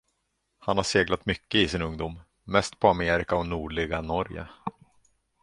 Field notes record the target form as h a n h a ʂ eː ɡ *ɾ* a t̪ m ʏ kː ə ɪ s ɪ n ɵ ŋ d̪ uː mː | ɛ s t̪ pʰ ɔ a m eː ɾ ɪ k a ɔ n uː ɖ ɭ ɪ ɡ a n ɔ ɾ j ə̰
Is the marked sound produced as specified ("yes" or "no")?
no